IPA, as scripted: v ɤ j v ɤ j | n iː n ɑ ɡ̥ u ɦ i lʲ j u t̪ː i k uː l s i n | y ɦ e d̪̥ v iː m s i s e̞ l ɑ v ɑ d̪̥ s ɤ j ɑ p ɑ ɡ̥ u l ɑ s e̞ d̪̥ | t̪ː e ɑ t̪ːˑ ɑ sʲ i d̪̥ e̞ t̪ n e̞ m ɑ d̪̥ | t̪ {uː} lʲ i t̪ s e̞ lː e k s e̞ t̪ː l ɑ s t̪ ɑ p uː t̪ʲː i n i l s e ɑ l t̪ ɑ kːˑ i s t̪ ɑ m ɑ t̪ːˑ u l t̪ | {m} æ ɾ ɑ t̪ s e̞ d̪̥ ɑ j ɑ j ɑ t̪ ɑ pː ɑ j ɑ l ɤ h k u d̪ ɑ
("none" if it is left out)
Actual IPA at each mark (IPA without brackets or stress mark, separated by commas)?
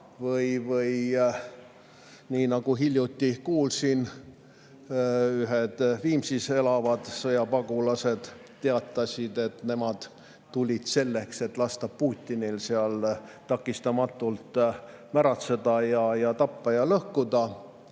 u, m